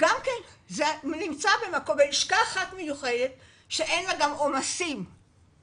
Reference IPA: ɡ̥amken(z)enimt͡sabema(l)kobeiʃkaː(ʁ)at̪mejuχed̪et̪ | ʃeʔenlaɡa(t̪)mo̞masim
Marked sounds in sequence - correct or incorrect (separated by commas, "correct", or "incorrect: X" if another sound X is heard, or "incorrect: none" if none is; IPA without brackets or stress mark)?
correct, incorrect: none, incorrect: χ, incorrect: none